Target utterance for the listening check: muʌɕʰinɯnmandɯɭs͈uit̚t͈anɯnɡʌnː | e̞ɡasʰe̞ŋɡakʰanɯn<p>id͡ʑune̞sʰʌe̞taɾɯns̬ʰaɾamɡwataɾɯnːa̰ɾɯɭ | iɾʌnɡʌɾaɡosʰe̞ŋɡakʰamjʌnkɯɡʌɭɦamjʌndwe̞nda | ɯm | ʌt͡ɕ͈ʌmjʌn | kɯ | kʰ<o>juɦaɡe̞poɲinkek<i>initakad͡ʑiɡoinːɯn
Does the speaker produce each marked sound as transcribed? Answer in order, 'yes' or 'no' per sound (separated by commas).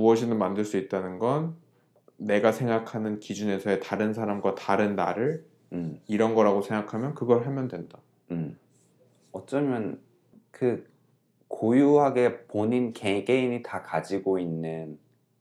no, yes, no